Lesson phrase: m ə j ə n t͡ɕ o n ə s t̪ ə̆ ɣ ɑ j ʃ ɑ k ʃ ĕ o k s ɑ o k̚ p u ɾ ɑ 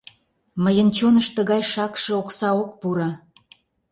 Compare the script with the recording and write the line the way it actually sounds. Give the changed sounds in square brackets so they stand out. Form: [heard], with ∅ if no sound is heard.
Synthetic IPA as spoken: m ə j ə n t͡ɕ o n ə [ʃ] t̪ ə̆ ɣ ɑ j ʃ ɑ k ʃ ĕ o k s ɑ o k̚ p u ɾ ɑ